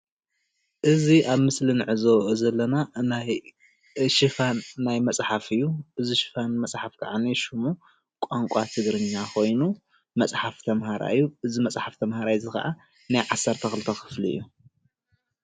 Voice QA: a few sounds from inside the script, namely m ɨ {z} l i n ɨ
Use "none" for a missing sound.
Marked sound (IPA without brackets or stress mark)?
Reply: s